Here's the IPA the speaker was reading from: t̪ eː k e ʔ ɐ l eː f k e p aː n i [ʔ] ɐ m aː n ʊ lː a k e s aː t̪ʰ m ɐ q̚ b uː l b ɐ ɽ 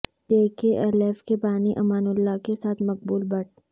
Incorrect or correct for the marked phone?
correct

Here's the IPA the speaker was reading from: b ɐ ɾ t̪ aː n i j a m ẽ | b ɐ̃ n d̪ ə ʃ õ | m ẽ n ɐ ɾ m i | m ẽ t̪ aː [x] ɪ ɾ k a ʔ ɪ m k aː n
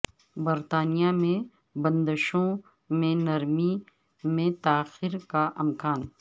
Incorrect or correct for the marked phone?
correct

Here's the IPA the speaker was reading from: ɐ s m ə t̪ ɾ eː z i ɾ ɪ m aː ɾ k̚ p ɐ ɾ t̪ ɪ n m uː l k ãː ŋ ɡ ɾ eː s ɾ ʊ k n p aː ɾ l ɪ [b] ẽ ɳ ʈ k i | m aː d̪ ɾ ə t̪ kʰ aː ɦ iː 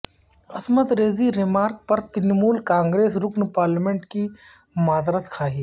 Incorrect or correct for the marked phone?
incorrect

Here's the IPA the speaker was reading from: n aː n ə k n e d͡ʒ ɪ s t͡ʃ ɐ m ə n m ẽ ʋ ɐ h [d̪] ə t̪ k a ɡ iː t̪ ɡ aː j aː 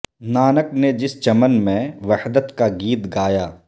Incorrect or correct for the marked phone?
correct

